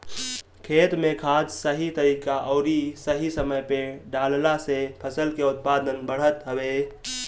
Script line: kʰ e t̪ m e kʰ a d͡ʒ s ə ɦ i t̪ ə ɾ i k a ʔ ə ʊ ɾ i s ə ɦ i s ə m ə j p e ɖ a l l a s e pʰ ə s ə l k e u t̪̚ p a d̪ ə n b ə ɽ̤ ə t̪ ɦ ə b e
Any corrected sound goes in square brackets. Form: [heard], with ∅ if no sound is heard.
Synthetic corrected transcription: kʰ e t̪ m e kʰ a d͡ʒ s ə ɦ i t̪ ə ɾ i k a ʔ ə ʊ ɾ i s ə ɦ i s ə m ə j p e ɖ a l l a s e pʰ ə s ə l k e u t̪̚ p a d̪ ə n b ə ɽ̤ ə t̪ ɦ ə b e